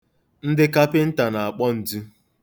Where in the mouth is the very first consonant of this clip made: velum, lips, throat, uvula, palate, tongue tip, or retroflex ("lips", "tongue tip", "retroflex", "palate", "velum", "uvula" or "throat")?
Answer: tongue tip